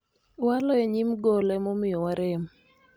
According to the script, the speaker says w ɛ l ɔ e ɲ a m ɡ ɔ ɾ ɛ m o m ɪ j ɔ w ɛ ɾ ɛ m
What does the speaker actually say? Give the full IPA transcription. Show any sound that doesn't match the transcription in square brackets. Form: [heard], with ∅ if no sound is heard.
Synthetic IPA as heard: w [a] l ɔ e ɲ [i] m ɡ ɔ [l] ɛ m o m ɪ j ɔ w [a] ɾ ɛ m